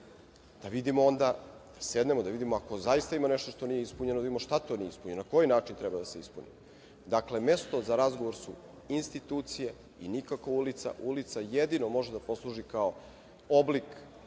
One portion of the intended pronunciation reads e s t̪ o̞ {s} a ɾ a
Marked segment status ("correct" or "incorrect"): incorrect